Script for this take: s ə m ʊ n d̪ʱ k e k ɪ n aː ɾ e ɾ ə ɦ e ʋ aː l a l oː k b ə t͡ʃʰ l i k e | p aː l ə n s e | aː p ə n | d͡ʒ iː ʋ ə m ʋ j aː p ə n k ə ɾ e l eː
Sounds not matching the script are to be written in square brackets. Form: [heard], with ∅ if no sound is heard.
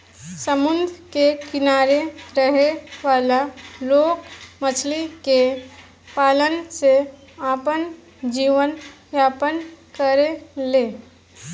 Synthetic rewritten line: s ə m ʊ n d̪ʱ k e k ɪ n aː ɾ e ɾ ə ɦ e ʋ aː l a l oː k [m] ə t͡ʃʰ l i k e | p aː l ə n s e | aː p ə n | d͡ʒ iː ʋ ə [n] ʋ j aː p ə n k ə ɾ e l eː